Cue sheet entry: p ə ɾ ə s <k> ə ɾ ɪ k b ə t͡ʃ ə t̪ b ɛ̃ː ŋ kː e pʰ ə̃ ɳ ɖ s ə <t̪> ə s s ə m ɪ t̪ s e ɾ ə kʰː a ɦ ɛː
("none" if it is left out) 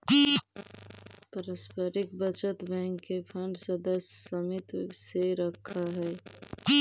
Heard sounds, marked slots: p, d̪

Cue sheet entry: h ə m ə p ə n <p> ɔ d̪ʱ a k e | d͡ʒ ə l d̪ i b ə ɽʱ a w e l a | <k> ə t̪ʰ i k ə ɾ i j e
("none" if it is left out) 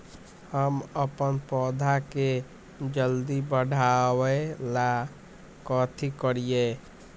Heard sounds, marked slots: p, k

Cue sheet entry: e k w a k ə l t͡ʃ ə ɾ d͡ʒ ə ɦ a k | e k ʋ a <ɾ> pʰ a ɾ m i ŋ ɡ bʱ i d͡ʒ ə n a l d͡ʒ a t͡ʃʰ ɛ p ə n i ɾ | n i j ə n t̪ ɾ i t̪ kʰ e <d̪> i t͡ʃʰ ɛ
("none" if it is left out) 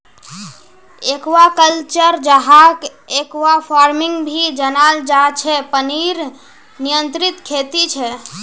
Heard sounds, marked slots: none, t̪

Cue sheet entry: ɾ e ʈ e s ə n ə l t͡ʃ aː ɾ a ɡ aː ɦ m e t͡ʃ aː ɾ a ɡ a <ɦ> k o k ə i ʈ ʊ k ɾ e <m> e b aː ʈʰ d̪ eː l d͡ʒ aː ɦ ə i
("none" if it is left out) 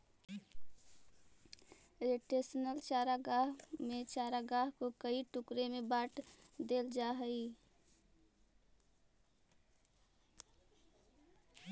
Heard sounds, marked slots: ɦ, m

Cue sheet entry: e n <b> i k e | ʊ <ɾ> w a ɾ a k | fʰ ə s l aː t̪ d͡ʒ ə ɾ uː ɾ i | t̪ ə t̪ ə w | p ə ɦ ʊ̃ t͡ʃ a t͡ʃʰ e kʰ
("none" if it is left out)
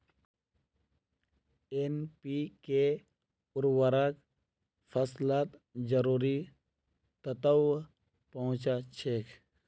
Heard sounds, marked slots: p, ɾ

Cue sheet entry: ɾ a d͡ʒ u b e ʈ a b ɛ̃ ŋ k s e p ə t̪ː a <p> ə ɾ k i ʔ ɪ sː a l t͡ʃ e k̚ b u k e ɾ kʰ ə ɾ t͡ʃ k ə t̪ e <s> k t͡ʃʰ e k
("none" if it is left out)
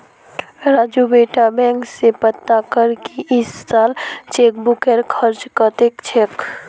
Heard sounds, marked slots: k, none

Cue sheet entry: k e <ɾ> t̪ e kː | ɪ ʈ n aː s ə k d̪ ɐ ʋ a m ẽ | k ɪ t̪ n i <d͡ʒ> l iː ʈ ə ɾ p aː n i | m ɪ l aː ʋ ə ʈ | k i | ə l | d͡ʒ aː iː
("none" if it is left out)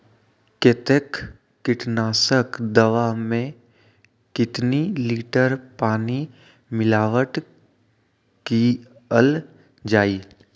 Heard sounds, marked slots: none, none

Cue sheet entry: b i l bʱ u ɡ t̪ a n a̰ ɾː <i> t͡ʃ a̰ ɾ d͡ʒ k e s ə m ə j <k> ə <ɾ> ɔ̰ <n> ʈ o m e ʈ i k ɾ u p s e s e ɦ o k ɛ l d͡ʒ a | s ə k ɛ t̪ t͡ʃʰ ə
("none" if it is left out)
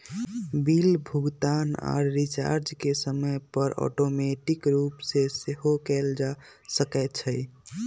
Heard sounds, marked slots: i, p, ɾ, none

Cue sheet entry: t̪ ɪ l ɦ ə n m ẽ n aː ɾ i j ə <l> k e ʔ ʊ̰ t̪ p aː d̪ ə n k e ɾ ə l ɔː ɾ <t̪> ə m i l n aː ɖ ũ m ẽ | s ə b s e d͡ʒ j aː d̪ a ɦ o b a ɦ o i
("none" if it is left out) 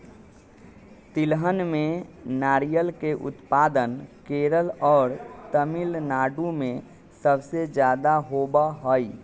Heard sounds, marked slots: l, t̪

